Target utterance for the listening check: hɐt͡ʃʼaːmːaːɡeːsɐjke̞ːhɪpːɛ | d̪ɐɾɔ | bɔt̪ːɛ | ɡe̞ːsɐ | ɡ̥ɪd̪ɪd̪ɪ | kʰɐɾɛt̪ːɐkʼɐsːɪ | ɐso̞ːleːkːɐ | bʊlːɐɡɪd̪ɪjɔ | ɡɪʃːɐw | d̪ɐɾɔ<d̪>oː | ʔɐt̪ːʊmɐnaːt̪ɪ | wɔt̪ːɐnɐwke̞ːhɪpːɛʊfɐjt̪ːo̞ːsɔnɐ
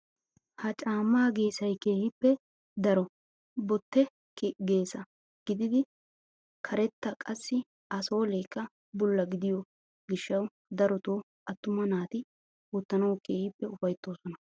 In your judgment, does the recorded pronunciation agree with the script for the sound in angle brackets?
no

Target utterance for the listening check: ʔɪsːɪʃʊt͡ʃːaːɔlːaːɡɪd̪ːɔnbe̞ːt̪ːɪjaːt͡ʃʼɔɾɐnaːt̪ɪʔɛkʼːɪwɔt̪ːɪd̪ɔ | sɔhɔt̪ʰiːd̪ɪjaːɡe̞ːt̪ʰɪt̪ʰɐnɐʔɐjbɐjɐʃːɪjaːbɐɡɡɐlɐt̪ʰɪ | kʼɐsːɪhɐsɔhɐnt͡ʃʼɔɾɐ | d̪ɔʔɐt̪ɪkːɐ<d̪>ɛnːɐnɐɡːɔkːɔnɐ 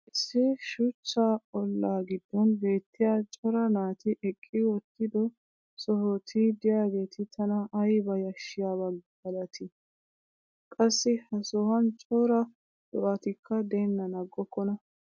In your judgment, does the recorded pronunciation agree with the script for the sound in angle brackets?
yes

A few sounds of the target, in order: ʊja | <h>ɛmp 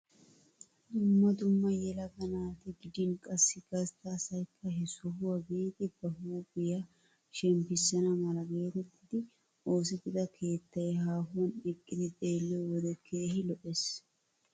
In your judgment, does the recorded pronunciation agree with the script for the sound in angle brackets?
no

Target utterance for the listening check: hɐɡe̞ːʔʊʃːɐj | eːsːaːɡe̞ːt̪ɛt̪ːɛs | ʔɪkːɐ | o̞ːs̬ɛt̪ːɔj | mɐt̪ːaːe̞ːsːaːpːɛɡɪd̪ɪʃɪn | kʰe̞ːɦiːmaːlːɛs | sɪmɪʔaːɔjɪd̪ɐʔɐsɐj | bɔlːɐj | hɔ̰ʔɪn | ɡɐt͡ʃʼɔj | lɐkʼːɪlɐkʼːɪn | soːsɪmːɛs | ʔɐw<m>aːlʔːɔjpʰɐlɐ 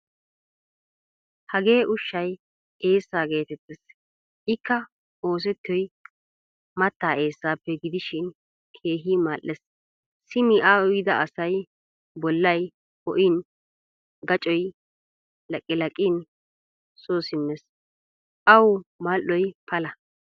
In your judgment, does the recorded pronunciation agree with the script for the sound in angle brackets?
yes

